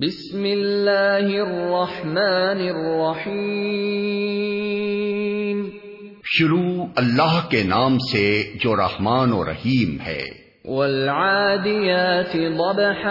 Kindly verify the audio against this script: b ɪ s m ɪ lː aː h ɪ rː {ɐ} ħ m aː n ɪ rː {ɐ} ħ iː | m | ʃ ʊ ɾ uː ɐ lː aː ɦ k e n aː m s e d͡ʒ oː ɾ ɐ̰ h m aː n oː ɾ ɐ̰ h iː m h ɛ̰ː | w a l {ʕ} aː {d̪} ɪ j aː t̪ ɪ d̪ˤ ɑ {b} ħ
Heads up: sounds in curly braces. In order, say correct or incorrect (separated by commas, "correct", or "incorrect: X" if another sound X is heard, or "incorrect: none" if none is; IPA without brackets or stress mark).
incorrect: ɑ, incorrect: ɑ, correct, correct, correct